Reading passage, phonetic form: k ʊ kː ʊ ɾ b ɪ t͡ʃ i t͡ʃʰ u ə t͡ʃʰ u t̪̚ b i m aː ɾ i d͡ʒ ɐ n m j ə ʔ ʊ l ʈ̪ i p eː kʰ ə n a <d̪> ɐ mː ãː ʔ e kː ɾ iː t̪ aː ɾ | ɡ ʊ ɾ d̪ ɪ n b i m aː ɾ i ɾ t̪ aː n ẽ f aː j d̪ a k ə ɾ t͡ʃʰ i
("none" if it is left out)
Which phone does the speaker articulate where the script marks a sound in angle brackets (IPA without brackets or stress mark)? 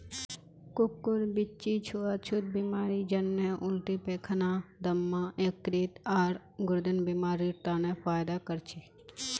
d̪